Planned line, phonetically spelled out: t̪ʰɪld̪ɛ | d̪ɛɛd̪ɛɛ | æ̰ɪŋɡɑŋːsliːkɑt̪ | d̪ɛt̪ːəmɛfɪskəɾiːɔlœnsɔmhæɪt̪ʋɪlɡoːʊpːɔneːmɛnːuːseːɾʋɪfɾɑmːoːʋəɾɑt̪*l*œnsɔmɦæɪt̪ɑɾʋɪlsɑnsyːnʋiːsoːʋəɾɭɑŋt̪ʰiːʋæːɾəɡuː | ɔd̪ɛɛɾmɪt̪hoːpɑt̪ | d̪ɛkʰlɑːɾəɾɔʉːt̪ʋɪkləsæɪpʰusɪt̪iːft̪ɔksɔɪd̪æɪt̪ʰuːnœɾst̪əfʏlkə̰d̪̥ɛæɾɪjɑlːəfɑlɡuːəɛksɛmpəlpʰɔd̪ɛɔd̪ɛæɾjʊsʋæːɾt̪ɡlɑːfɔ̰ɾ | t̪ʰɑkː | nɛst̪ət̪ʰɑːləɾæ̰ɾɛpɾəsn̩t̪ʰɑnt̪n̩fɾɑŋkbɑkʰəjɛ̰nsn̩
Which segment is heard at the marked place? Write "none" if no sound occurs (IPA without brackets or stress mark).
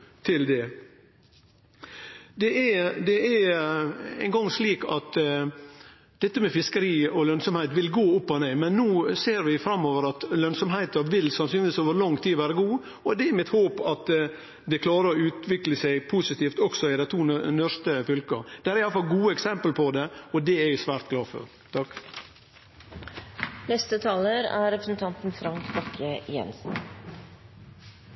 l